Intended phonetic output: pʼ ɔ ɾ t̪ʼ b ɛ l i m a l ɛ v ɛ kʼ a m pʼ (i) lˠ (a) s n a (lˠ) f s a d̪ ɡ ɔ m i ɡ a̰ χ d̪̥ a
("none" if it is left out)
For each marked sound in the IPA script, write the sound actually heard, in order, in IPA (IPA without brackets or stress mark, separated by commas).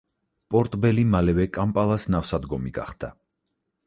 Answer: a, a, none